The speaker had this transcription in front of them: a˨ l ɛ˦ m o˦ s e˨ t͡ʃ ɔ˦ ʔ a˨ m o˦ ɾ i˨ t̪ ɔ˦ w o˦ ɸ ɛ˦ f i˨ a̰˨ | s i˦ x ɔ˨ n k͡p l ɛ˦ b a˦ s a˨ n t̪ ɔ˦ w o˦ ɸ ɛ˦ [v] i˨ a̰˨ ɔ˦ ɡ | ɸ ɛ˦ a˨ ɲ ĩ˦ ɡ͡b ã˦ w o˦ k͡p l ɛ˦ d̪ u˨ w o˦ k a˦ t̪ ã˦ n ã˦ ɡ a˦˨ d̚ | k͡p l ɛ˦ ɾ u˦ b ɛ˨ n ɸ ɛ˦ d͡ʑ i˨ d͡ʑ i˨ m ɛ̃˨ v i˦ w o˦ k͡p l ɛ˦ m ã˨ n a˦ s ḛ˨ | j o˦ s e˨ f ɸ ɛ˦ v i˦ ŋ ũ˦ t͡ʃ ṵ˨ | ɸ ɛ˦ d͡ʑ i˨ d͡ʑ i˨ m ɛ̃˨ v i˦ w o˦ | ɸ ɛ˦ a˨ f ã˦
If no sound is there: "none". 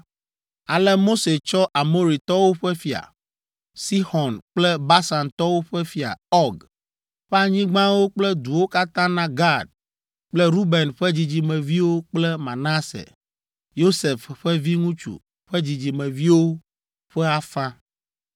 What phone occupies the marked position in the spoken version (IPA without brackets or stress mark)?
f